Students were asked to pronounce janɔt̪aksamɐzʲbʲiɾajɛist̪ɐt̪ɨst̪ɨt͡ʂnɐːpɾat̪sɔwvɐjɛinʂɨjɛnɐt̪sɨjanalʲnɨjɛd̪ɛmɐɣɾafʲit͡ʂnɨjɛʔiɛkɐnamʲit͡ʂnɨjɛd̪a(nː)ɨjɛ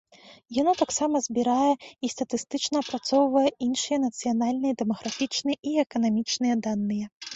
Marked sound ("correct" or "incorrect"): correct